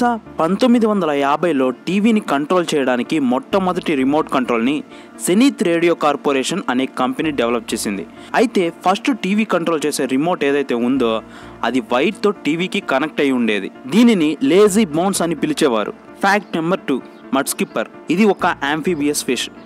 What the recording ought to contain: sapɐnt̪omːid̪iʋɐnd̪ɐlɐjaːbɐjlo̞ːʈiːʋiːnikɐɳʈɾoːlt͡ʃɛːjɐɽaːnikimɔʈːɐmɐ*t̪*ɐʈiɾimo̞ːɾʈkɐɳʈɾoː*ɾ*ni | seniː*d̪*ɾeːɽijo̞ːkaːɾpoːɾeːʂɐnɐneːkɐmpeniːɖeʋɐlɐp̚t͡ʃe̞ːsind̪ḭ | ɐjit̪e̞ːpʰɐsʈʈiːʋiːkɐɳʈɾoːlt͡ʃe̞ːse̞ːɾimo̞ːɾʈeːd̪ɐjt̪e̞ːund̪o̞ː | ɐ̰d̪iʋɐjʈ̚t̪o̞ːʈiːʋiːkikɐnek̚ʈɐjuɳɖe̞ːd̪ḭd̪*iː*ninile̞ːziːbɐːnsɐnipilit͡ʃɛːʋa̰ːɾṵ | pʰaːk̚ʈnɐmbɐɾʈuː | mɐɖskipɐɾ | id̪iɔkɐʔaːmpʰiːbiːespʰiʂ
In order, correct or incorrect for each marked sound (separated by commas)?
incorrect, incorrect, incorrect, correct